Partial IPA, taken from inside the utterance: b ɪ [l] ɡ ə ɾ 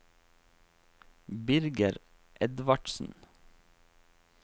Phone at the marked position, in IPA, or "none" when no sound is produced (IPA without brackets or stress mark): ɾ